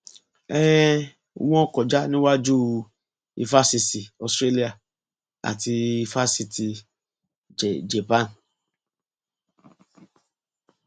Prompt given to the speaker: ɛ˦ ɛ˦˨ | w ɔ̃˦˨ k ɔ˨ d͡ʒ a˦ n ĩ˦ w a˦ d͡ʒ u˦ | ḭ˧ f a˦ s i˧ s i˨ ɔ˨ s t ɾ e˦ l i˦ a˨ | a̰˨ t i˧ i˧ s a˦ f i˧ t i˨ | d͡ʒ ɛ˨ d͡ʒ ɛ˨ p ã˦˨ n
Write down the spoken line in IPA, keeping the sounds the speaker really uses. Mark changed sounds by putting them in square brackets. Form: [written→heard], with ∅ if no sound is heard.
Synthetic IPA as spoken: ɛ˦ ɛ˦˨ | w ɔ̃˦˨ k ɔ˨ d͡ʒ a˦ n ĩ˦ w a˦ d͡ʒ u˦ | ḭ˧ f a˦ s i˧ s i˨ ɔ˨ s t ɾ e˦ l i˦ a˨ | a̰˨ t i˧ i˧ [s→f] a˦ [f→s] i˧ t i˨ | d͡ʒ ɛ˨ d͡ʒ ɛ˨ p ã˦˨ n

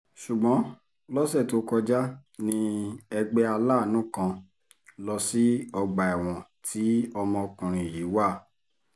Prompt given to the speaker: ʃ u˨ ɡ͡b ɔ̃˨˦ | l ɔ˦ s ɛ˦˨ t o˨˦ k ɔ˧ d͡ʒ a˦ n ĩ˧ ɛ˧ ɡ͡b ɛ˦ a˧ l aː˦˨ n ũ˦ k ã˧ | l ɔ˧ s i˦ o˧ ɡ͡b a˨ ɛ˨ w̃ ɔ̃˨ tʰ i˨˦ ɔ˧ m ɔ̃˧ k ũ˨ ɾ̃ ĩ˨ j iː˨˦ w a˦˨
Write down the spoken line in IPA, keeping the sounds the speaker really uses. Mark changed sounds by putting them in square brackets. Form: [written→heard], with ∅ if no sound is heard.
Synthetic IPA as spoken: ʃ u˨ ɡ͡b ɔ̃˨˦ | l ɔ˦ s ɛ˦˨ t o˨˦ k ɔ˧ d͡ʒ a˦ n ĩ˧ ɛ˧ ɡ͡b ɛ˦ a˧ l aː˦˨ n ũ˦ k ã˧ | l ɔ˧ s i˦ [o˧→ɔ˧] ɡ͡b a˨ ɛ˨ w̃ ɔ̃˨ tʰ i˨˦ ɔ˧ m ɔ̃˧ k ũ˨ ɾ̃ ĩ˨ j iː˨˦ w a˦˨

